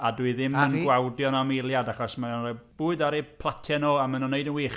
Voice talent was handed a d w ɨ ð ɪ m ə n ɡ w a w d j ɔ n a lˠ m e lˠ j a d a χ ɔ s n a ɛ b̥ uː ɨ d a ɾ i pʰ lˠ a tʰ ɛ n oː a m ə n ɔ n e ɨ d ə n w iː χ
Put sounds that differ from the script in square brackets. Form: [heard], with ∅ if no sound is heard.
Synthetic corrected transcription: a d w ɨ ð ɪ m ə n ɡ w a w d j ɔ n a [∅] m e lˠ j a d a χ ɔ s [m] a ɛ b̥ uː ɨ d a ɾ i pʰ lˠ a tʰ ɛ n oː a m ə n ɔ n e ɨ d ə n w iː χ